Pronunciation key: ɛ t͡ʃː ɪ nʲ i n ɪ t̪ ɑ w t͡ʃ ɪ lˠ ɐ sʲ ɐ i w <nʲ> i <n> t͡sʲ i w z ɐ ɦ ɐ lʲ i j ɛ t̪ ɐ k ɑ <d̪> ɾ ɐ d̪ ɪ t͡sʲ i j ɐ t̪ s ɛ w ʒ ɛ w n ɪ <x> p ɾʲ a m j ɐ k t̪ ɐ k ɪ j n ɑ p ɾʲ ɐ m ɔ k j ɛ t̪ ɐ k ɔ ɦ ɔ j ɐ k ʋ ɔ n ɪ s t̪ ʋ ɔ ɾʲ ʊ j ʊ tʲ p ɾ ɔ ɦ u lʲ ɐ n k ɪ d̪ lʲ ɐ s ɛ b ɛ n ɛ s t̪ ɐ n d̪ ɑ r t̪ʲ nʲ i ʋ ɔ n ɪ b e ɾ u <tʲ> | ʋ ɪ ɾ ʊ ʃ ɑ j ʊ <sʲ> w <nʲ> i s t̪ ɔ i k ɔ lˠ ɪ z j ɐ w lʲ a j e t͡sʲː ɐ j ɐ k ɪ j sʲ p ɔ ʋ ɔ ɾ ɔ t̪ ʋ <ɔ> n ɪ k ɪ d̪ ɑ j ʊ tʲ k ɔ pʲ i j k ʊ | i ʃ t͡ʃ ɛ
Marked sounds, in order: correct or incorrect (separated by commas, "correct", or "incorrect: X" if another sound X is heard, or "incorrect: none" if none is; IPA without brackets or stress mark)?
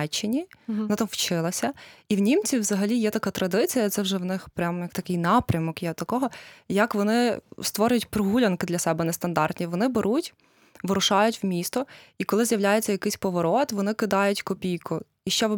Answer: correct, incorrect: m, incorrect: t̪, correct, correct, incorrect: tʲ, incorrect: mʲ, correct